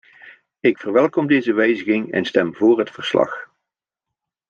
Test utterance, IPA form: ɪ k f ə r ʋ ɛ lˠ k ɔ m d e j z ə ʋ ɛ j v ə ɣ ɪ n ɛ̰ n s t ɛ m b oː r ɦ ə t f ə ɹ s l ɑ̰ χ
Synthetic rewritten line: ɪ k f ə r ʋ ɛ lˠ k ɔ m d e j z ə ʋ ɛ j z ə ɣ ɪ ŋ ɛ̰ n s t ɛ m v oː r ɦ ə t f ə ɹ s l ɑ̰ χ